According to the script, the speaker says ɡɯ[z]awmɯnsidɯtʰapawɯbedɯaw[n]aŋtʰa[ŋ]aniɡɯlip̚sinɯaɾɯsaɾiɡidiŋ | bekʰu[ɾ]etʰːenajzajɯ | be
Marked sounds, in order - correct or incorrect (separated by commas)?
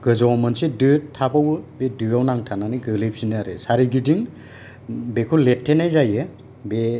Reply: correct, correct, incorrect, incorrect